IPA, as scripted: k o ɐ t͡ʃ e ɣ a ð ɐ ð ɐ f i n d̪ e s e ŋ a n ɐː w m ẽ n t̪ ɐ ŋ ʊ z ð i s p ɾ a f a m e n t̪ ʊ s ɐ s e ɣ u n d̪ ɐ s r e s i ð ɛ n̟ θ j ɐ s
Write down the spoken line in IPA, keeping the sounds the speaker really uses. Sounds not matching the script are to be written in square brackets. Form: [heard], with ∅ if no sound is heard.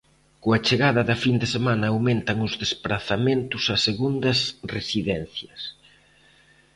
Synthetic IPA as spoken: k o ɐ t͡ʃ e ɣ a ð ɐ ð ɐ f i n d̪ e s e [m] a n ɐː w m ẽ n t̪ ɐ ŋ ʊ z ð [e] s p ɾ a [θ] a m e n t̪ ʊ s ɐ s e ɣ u n d̪ ɐ s r e s i ð ɛ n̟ θ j ɐ s